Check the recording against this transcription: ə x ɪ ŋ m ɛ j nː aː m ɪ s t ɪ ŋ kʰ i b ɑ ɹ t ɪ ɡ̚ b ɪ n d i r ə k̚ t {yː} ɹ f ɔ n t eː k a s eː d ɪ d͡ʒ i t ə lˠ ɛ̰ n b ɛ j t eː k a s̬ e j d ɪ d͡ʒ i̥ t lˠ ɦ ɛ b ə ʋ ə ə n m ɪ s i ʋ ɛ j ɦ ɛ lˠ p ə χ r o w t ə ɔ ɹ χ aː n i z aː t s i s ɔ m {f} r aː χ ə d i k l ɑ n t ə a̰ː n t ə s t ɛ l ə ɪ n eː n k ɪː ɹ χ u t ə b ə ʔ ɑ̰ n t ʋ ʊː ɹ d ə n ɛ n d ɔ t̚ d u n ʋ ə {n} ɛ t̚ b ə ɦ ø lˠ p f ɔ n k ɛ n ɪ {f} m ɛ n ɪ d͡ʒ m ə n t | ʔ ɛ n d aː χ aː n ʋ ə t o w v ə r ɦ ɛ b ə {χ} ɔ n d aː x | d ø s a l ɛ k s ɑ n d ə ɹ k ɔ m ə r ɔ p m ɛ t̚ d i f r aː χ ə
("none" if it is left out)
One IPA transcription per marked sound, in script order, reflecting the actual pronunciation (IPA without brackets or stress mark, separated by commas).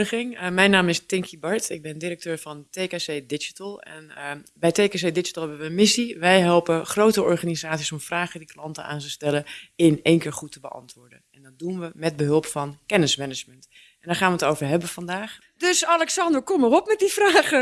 øː, f, m, s, f